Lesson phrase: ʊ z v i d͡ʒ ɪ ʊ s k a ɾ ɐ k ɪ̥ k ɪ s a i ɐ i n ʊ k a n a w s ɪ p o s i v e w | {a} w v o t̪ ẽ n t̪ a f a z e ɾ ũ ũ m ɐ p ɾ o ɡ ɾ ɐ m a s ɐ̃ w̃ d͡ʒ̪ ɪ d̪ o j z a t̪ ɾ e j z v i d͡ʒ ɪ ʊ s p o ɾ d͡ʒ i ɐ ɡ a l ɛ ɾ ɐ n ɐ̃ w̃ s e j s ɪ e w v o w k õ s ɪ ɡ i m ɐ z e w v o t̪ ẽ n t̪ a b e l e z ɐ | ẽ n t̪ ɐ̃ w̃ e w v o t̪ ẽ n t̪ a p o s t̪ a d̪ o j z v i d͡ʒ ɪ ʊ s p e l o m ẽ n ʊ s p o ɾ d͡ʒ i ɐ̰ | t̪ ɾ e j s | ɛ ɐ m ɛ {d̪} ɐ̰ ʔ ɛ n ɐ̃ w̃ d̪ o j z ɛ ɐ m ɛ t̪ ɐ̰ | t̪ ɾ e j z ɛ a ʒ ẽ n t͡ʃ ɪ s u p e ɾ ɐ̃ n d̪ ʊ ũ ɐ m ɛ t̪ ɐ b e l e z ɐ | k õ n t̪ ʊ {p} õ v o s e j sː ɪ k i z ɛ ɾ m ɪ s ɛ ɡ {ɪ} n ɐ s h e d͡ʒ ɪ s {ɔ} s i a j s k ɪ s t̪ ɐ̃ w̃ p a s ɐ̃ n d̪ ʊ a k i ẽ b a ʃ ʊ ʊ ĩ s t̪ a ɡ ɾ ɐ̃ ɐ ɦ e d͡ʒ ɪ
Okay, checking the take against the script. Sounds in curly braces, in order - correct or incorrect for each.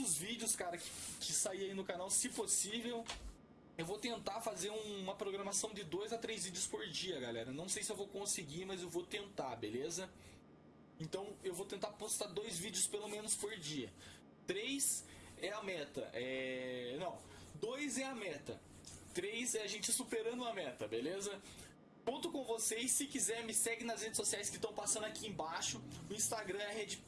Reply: incorrect: e, incorrect: t̪, incorrect: k, correct, incorrect: o

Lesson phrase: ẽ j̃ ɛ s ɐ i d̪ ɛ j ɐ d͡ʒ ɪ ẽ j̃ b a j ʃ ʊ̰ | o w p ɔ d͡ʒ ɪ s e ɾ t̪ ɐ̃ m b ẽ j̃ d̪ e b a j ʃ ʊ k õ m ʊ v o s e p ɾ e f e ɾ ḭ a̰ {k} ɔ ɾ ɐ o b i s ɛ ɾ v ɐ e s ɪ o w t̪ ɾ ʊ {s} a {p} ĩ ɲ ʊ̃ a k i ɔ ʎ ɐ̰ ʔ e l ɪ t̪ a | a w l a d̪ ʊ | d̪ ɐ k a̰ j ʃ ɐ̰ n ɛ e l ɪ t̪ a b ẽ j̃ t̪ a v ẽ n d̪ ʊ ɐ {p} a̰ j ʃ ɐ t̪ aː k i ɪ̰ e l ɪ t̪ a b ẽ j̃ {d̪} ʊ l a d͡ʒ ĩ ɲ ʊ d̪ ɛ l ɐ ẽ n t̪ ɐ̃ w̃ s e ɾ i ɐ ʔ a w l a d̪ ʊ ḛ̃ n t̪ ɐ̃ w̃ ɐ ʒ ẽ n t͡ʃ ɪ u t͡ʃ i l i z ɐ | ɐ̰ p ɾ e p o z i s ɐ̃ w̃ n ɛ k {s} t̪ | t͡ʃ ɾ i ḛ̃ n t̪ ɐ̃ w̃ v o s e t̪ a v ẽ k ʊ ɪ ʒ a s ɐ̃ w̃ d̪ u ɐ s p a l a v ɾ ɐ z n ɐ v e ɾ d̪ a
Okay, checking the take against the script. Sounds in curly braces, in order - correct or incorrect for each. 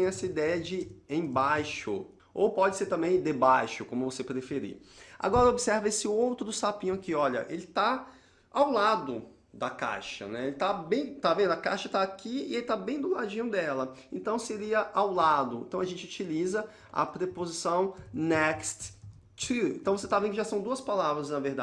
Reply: incorrect: ɡ, correct, correct, incorrect: k, correct, correct

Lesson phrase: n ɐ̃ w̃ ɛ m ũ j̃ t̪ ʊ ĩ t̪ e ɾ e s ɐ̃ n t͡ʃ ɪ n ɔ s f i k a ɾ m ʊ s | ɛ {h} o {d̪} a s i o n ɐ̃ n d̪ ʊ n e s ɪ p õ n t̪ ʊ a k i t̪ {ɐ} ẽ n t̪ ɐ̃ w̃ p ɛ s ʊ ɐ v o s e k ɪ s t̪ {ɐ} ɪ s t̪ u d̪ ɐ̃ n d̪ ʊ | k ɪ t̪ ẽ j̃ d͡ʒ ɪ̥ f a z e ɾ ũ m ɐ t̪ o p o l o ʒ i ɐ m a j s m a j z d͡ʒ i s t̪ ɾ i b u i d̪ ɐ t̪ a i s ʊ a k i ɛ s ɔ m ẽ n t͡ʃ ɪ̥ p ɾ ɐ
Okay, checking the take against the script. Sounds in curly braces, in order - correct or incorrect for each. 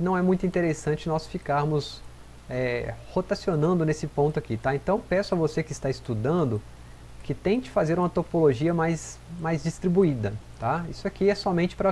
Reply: correct, incorrect: t̪, incorrect: a, incorrect: a

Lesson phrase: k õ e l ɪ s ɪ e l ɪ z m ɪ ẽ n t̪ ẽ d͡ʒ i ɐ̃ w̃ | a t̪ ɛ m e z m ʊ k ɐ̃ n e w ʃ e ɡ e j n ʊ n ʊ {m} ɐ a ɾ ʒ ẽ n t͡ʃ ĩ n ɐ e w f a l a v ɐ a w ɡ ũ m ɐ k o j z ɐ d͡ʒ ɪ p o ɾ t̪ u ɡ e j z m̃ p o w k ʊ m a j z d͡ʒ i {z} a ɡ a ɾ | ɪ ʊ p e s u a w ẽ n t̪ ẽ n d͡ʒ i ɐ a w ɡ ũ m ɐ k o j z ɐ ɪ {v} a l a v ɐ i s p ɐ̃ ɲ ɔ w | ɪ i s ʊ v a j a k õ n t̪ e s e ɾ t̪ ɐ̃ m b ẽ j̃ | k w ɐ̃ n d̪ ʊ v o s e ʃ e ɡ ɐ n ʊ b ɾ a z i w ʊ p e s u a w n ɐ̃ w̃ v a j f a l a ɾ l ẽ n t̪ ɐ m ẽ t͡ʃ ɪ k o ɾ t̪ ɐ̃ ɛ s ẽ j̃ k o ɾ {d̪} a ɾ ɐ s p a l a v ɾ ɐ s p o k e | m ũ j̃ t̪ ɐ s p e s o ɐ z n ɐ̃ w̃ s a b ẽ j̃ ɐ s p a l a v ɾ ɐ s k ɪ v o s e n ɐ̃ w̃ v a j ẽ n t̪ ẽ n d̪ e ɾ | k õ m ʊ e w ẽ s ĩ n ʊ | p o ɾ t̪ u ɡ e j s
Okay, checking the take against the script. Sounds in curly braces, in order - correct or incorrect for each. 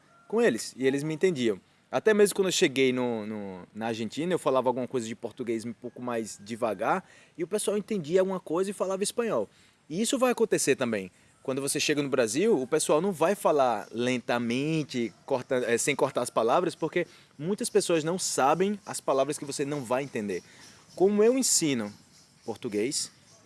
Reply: incorrect: n, incorrect: v, incorrect: f, incorrect: t̪

